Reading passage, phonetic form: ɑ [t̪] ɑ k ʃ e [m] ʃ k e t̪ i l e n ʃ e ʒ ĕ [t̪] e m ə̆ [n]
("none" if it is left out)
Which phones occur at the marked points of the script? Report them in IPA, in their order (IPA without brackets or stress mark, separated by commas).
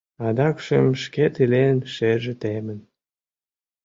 d̪, m, t̪, n